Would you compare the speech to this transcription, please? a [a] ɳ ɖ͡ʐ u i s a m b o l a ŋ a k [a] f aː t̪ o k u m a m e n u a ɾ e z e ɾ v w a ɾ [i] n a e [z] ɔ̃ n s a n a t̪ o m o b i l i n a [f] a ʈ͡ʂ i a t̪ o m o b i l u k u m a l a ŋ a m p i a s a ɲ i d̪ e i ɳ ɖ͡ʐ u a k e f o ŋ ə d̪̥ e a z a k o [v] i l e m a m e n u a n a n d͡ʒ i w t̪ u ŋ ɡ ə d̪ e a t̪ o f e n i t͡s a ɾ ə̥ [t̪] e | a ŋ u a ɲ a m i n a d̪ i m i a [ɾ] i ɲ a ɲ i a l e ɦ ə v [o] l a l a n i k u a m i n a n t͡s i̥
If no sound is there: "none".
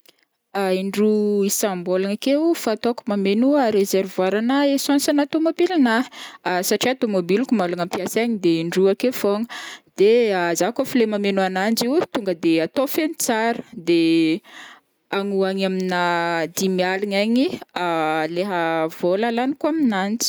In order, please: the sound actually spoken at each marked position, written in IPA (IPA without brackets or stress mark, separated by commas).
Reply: i, e, a, s, s, f, d̪, l, o